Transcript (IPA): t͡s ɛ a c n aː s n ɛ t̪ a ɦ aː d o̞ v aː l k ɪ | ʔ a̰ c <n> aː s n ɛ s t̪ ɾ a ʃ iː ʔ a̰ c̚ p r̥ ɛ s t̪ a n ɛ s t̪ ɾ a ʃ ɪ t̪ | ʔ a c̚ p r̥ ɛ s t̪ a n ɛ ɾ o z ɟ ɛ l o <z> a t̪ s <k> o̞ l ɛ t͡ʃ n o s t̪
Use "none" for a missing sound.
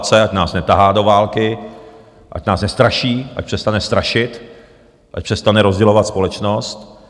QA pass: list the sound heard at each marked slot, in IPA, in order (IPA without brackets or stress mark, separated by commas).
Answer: n, v, p